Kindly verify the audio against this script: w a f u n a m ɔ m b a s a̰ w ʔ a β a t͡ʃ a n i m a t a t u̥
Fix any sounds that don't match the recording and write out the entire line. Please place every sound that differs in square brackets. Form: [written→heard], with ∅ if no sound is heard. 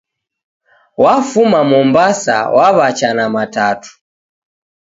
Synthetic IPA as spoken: w a f u [n→m] a m ɔ m b a s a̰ w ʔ a β a t͡ʃ a n [i→a] m a t a t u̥